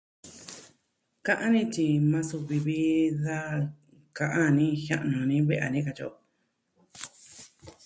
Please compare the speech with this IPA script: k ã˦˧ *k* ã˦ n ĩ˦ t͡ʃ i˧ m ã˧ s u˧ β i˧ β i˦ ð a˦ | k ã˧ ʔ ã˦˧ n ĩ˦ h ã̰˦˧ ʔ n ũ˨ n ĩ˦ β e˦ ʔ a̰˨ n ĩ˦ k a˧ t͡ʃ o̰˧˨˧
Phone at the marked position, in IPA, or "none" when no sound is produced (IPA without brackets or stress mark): ʔ